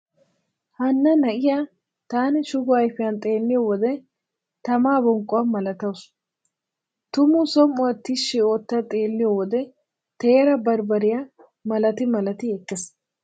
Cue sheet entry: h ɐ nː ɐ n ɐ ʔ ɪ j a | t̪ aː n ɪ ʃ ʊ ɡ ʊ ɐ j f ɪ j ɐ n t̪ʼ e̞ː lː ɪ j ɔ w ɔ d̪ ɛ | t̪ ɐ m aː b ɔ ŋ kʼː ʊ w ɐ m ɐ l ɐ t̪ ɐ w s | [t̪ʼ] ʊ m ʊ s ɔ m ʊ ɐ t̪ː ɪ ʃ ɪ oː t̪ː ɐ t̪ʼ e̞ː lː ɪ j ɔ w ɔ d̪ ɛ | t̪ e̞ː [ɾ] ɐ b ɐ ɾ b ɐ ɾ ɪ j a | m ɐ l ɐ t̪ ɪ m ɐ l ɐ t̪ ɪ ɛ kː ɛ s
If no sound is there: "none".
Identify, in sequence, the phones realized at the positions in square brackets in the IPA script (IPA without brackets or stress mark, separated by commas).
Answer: t̪, ɾ